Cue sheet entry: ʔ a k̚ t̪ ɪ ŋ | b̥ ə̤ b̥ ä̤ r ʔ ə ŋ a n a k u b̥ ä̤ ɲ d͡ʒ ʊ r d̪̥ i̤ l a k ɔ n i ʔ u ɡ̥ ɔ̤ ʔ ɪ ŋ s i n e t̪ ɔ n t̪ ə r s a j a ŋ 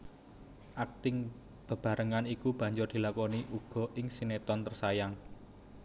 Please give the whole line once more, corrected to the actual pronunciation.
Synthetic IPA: ʔ a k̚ t̪ ɪ ŋ | b̥ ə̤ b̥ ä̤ ɾ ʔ ə ŋ a n i k u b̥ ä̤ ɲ d͡ʒ ʊ r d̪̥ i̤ l a k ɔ n i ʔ u ɡ̥ ɔ̤ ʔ ɪ ŋ s i n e t̪ ɔ n t̪ ə r s a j a ŋ